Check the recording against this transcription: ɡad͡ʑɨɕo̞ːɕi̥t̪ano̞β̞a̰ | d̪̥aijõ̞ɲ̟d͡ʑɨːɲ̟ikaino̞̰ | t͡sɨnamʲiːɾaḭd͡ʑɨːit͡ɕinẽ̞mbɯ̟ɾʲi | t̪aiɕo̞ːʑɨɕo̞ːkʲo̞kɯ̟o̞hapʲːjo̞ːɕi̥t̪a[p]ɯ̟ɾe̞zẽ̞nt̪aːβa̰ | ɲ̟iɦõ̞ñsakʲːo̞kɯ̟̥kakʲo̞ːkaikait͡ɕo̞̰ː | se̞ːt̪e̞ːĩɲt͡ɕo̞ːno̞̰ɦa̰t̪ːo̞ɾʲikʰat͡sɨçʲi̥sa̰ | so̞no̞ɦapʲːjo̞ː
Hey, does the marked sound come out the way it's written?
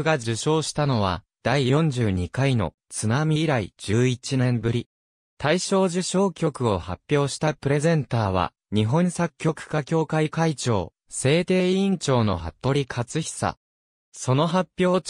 yes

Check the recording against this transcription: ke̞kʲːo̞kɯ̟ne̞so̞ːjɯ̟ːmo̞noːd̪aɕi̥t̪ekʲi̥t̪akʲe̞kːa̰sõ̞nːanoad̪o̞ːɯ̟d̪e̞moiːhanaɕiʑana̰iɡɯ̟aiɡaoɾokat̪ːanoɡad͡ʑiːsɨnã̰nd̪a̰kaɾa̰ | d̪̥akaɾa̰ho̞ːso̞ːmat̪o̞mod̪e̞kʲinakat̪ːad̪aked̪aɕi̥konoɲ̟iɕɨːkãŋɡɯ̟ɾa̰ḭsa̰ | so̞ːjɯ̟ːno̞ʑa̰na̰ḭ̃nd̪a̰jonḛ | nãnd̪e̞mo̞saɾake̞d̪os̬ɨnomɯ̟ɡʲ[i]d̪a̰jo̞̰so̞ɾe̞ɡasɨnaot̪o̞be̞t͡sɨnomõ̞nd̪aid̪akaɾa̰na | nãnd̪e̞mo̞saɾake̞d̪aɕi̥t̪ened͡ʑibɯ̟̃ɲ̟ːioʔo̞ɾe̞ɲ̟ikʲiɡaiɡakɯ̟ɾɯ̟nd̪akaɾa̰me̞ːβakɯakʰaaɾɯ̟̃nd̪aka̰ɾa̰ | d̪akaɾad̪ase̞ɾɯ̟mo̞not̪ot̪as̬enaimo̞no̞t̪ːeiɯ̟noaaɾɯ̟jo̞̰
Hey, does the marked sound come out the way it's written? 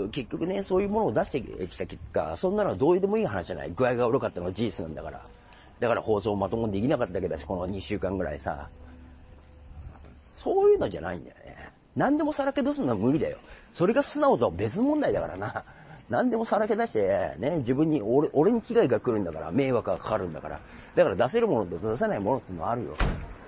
yes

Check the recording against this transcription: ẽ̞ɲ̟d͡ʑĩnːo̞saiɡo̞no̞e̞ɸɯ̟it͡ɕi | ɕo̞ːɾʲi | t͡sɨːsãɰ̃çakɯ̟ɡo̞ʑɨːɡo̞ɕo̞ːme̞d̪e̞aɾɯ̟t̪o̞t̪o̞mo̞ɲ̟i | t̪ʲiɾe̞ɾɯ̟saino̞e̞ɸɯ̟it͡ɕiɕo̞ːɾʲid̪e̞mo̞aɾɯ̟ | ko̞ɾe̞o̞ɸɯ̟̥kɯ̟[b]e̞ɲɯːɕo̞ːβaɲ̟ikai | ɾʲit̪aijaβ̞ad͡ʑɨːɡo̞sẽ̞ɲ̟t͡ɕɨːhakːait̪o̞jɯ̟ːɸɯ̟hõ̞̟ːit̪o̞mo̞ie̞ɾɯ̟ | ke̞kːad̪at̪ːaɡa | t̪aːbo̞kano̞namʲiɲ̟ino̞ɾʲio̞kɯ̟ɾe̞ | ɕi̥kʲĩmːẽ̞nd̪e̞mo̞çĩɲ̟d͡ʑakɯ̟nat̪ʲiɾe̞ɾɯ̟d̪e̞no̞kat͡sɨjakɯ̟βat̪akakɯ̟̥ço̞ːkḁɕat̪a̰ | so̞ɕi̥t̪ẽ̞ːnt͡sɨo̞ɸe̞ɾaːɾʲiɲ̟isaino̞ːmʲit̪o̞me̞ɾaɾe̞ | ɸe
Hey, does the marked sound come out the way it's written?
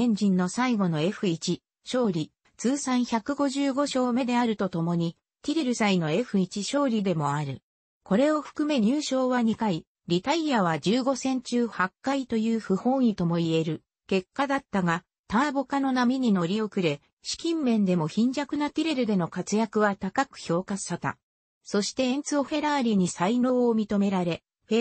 no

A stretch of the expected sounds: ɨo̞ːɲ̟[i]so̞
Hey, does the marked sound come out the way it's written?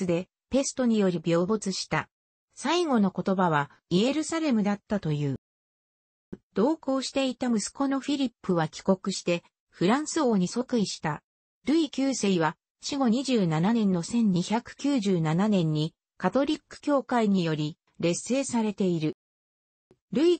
yes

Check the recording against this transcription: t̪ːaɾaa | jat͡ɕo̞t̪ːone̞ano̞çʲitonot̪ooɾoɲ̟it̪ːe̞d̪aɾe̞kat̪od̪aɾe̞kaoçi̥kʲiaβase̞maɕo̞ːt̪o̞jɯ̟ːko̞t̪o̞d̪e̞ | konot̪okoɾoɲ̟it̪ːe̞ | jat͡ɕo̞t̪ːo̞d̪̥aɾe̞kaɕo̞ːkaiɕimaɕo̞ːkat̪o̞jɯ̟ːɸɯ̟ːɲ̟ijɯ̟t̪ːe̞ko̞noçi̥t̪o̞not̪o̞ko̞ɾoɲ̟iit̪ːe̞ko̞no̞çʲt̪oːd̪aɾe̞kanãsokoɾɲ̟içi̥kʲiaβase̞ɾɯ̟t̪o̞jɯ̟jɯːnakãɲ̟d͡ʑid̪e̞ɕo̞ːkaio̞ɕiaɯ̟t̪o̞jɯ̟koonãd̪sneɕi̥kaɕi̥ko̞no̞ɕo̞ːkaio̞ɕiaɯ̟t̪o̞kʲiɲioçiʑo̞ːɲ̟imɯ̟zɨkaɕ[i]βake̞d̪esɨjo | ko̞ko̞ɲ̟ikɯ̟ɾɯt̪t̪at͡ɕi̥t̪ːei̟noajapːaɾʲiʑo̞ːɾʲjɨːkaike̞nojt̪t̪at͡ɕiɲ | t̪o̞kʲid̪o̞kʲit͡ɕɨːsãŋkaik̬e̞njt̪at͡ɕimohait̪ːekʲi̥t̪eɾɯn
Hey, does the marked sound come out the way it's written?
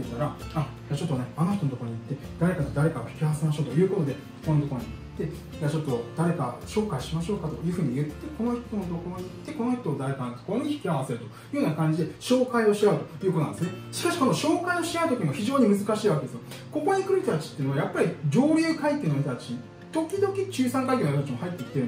no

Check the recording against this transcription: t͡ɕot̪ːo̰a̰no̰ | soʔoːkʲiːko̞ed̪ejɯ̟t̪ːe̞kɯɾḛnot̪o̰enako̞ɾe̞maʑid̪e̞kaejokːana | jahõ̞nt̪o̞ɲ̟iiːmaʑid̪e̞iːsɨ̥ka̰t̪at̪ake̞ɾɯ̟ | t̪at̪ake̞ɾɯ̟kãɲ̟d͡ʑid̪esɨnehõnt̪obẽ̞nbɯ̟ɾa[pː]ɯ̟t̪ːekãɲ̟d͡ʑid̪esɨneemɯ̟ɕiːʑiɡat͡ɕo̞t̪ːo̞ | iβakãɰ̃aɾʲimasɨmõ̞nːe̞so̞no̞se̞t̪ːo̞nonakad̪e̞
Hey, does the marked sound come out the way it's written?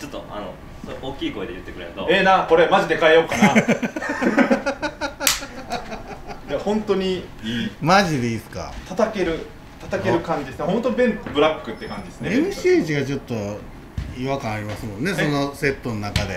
no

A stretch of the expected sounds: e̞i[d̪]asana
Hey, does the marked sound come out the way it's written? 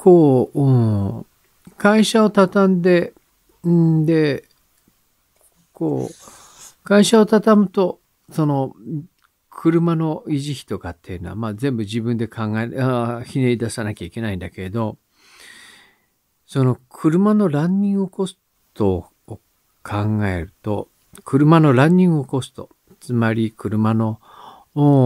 yes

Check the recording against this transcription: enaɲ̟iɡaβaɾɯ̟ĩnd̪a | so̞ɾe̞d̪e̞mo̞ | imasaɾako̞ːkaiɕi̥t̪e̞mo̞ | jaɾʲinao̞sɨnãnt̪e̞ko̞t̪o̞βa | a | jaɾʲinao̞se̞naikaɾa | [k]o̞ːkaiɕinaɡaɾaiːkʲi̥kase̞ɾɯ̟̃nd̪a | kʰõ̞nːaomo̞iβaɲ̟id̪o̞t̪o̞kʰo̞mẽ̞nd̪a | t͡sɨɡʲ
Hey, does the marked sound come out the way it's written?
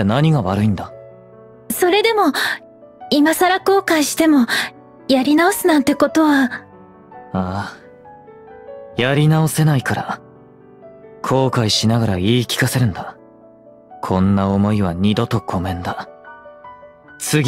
no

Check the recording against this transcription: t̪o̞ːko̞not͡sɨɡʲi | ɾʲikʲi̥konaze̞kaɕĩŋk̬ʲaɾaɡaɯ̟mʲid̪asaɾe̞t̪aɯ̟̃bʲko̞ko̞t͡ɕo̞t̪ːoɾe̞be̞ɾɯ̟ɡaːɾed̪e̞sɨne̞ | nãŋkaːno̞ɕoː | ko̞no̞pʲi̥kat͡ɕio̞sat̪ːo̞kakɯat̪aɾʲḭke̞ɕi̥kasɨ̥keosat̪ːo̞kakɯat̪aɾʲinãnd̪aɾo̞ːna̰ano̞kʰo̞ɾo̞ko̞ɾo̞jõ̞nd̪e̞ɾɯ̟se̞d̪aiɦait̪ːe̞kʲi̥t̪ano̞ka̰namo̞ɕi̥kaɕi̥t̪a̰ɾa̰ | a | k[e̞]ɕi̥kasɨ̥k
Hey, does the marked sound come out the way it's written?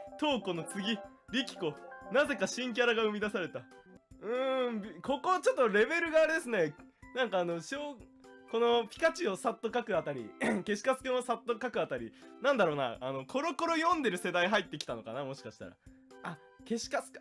yes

